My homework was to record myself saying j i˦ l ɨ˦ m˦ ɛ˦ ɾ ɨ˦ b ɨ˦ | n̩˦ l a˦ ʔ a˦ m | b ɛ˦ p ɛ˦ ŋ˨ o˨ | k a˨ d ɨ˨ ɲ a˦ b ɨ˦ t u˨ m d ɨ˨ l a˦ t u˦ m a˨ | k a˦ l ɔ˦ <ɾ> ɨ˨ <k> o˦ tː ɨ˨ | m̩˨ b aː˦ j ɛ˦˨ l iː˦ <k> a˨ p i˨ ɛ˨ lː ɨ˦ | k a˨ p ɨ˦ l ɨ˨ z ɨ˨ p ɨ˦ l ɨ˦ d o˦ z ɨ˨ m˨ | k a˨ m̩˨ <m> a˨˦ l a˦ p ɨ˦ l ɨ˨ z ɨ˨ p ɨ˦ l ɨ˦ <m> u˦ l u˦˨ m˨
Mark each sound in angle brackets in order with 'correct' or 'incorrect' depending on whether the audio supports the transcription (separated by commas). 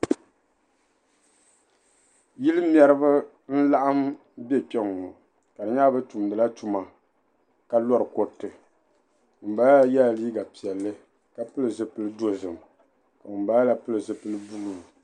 correct, correct, incorrect, incorrect, incorrect